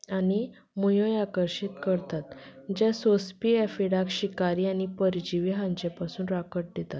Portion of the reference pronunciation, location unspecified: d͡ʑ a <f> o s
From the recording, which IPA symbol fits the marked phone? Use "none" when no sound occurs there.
s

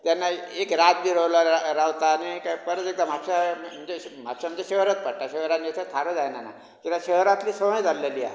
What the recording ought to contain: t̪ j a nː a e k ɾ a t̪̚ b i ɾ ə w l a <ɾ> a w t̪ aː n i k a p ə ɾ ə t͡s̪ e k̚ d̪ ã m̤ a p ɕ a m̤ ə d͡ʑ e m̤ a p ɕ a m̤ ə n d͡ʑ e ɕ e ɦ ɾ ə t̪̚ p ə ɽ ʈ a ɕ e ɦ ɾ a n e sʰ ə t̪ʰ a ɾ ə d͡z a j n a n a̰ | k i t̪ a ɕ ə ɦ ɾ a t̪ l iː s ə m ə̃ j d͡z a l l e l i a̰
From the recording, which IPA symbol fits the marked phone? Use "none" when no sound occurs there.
ɾ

